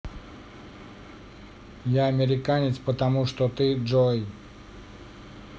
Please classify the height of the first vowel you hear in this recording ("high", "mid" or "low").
low